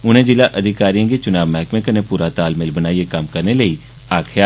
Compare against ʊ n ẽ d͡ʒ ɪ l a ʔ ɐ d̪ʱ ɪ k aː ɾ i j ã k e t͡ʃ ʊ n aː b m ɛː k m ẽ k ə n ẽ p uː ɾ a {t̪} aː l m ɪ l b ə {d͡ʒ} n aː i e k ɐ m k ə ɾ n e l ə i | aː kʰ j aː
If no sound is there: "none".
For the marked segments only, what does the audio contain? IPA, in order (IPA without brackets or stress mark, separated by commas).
t̪, none